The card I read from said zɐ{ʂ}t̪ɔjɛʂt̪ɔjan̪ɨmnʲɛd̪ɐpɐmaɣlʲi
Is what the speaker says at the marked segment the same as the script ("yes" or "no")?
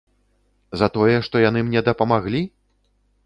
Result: no